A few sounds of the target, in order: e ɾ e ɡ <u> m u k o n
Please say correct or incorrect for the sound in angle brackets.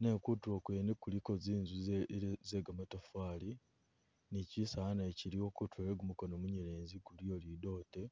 correct